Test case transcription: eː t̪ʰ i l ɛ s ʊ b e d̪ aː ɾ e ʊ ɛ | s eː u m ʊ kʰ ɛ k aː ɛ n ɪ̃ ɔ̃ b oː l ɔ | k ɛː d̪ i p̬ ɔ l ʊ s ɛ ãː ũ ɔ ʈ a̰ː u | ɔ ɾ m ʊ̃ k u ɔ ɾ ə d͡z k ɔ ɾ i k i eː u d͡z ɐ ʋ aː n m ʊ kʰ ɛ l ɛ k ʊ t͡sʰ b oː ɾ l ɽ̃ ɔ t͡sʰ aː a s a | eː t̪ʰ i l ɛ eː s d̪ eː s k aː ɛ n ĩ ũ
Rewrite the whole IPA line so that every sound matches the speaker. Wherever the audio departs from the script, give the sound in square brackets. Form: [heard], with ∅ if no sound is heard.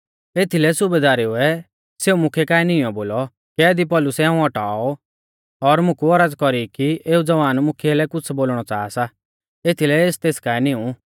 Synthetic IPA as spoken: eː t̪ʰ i l ɛ s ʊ b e d̪ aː ɾ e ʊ ɛ | s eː u m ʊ kʰ ɛ k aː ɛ n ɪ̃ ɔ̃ b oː l ɔ | k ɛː d̪ i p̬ ɔ l ʊ s ɛ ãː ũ ɔ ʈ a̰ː [ɔ] | ɔ ɾ m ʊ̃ k u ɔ ɾ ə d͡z k ɔ ɾ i k i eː u d͡z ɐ ʋ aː n m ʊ kʰ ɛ l ɛ k ʊ t͡sʰ b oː [∅] l ɽ̃ ɔ [t͡s] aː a s a | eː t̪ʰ i l ɛ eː s [t̪] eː s k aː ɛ n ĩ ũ